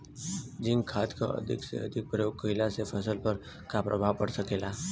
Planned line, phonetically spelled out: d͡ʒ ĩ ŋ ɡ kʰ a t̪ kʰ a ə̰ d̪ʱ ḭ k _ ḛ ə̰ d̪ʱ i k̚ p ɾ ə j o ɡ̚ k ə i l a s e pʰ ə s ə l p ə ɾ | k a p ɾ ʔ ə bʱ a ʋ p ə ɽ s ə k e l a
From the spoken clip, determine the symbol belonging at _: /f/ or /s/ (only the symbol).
s